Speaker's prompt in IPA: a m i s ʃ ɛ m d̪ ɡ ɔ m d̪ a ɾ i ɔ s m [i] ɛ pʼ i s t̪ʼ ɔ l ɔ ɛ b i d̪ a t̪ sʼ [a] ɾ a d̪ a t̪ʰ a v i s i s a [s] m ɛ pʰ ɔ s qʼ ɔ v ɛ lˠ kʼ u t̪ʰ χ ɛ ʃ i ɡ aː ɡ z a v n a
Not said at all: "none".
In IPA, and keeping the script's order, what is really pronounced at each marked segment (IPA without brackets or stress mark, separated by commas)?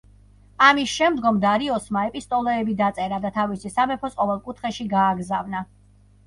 a, ɛ, none